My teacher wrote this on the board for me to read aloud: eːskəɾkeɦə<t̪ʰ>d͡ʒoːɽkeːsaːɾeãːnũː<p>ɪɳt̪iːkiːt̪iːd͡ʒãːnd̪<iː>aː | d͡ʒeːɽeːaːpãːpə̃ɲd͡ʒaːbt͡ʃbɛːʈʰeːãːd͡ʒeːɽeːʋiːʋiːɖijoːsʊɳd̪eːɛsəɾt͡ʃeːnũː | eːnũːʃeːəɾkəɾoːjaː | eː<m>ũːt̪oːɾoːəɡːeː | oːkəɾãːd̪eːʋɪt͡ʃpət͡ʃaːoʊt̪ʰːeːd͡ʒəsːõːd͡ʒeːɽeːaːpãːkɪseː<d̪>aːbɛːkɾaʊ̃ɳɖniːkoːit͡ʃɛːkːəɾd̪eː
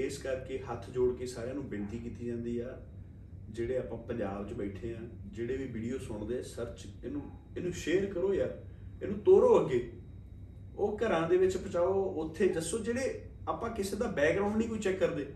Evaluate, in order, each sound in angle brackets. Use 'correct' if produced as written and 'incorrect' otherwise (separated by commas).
correct, incorrect, correct, incorrect, correct